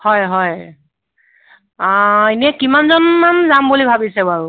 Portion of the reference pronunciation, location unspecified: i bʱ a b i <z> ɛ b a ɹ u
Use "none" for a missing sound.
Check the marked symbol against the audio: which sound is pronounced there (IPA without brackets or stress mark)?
s